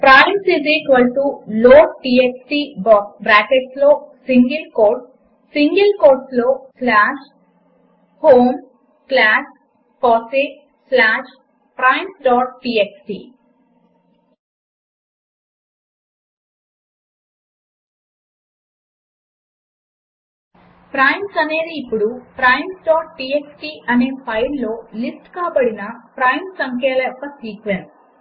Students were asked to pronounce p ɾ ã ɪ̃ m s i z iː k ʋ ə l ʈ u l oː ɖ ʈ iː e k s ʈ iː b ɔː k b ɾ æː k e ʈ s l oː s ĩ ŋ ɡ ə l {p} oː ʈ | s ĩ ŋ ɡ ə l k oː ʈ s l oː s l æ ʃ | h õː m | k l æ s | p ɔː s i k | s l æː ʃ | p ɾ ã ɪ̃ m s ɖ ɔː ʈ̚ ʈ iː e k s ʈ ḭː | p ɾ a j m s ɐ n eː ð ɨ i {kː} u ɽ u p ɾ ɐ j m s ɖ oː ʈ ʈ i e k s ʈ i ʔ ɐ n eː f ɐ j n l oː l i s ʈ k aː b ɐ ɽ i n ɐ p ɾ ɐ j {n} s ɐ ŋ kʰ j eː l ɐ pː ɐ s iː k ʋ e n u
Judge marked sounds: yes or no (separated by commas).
no, no, no